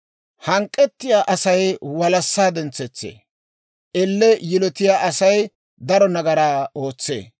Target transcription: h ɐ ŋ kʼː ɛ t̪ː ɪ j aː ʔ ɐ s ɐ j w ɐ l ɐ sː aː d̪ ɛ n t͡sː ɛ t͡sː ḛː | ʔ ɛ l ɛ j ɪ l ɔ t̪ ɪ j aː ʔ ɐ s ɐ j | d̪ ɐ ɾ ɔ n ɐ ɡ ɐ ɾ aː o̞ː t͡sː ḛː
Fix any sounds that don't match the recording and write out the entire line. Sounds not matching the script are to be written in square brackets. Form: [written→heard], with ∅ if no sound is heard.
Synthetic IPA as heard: h ɐ ŋ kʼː ɛ t̪ː ɪ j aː ʔ ɐ s ɐ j w ɐ l ɐ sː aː d̪ ɛ n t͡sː ɛ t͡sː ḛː | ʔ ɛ [l→lː] ɛ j ɪ l ɔ t̪ ɪ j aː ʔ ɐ s ɐ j | d̪ ɐ ɾ ɔ n ɐ ɡ ɐ ɾ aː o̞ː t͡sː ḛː